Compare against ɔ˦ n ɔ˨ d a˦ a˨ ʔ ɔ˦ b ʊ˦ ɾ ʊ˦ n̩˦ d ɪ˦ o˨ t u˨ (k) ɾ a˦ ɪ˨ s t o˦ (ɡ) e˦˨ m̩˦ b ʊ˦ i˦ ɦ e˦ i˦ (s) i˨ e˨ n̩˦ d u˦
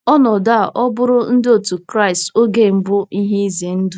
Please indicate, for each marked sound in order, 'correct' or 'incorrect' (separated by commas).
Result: correct, correct, incorrect